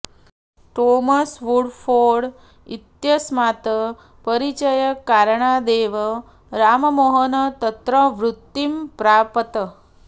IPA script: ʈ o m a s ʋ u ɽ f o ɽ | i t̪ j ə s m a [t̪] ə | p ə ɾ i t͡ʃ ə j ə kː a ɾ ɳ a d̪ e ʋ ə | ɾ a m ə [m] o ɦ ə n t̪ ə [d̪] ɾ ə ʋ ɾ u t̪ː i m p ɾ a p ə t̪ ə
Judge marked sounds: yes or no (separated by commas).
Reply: yes, yes, no